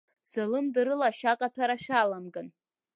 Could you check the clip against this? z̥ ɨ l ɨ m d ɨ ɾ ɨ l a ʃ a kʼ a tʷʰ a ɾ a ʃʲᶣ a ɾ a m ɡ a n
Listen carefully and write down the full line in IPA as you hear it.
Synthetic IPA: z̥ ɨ l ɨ m d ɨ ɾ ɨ l a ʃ a kʼ a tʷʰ a ɾ a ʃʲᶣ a l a m ɡ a n